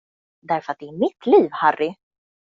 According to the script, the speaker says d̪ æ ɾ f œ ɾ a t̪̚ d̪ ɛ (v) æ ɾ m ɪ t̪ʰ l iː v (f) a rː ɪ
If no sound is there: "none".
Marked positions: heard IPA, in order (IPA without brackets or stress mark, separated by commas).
none, h